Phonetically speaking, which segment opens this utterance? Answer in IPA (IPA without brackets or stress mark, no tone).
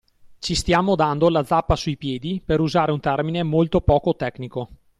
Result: t͡ʃ